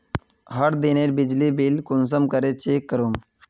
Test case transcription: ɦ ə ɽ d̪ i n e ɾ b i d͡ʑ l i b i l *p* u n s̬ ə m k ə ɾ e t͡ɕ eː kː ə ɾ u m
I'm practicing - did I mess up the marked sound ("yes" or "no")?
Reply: yes